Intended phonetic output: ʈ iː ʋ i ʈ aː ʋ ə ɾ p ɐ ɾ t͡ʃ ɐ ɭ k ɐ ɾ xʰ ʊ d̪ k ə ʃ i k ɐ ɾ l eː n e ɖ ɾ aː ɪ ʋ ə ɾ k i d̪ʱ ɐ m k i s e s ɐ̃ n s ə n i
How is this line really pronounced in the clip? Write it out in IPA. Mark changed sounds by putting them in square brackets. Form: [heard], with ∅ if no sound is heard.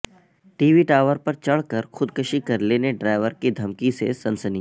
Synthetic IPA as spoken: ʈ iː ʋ i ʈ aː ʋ ə ɾ p ɐ ɾ t͡ʃ ɐ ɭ k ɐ ɾ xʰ ʊ d̪ k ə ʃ i k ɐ ɾ l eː n e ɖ ɾ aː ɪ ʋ ə ɾ k i d̪ʱ ɐ m k i s e s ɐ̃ n s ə n i